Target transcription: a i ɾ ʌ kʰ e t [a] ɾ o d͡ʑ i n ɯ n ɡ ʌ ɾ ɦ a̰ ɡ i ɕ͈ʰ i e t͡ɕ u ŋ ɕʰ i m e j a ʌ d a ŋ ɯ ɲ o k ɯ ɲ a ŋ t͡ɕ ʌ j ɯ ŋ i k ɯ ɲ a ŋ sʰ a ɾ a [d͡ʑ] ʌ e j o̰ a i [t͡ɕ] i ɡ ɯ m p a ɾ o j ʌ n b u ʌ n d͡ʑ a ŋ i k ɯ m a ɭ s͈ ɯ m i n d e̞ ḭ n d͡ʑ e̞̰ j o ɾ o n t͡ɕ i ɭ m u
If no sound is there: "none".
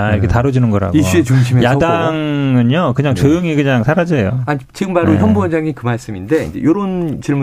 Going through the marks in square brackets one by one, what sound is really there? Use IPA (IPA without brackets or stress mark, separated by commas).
a, d͡ʑ, t͡ɕ